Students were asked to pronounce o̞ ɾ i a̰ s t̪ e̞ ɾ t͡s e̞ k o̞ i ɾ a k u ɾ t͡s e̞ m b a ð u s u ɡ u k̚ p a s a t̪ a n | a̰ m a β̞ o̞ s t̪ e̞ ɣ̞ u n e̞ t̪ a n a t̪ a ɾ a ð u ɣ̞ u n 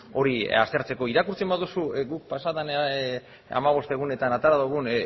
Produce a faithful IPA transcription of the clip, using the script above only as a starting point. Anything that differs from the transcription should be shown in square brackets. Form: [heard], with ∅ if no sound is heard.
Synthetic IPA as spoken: o̞ ɾ i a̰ s t̪ e̞ ɾ t͡s e̞ k o̞ i ɾ a k u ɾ t͡s e̞ m b a ð u s u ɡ u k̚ p a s a t̪ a n | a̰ m a β̞ o̞ s t̪ e̞ ɣ̞ u n e̞ t̪ a n a t̪ a ɾ a ð u ɣ̞ u n

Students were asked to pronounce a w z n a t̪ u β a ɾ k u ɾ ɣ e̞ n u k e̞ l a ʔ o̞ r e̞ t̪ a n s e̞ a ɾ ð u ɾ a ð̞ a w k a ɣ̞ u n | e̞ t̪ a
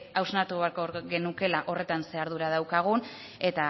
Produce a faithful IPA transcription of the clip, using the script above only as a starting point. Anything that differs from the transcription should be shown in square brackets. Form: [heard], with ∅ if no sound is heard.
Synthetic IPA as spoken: a w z n a t̪ u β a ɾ k [o] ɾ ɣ e̞ n u k e̞ l a ʔ o̞ r e̞ t̪ a n s e̞ a ɾ ð u ɾ a ð̞ a w k a ɣ̞ u n | e̞ t̪ a

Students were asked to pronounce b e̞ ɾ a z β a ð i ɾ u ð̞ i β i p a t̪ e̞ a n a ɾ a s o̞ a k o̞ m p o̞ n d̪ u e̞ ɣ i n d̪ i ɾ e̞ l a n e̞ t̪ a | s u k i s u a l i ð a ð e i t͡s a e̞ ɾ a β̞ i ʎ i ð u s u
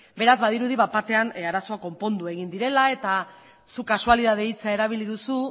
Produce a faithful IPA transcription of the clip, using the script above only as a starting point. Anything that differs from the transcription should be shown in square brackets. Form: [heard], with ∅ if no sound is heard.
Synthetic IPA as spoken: b e̞ ɾ a z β a ð i ɾ u ð̞ i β [a] p a t̪ e̞ a n a ɾ a s o̞ a k o̞ m p o̞ n d̪ u e̞ ɣ i n d̪ i ɾ e̞ l a [∅] e̞ t̪ a | s u k [a] s u a l i ð a ð e i t͡s a e̞ ɾ a β̞ i [l] i ð u s u

